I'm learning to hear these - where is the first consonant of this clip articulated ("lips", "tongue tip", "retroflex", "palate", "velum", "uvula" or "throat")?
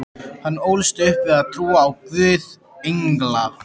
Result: throat